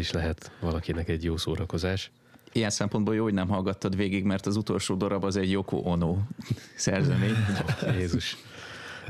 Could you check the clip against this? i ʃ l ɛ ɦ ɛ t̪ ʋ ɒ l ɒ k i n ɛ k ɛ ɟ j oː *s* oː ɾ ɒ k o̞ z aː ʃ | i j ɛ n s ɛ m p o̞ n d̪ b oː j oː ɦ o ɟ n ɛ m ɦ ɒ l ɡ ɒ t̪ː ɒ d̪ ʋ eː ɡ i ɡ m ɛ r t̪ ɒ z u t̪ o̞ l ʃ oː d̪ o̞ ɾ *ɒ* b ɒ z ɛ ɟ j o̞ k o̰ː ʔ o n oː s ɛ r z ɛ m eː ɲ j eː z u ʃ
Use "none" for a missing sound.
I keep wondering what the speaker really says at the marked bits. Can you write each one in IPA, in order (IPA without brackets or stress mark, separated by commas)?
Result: s, ɒ